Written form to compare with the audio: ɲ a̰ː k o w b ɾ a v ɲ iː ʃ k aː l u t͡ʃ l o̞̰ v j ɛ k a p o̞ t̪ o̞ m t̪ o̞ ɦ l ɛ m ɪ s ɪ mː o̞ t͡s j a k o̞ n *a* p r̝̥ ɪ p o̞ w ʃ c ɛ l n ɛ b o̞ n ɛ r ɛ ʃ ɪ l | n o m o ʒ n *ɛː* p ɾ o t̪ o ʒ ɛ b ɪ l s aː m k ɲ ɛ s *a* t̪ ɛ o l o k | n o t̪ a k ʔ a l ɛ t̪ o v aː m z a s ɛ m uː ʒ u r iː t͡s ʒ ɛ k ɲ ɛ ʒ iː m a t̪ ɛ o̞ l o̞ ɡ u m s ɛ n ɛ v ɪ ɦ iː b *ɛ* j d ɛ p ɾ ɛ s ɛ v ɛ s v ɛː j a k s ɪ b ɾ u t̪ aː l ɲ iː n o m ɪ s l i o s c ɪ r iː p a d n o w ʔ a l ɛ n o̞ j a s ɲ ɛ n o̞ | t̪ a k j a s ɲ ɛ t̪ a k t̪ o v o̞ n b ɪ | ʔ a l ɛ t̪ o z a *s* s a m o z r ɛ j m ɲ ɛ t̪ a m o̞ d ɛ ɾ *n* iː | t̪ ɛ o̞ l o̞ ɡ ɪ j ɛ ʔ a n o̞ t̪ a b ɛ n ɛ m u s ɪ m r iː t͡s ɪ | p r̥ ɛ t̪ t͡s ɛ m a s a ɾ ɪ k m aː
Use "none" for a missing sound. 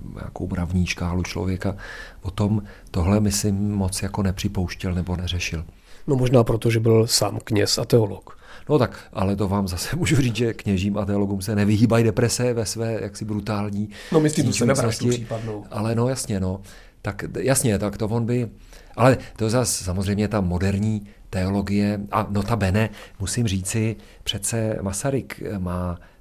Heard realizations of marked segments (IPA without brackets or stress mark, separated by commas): ɛ, aː, a, a, s, ɲ